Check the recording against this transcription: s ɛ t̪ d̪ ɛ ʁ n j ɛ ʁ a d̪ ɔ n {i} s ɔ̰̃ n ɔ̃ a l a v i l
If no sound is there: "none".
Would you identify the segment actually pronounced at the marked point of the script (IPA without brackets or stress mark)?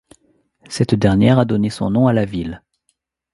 e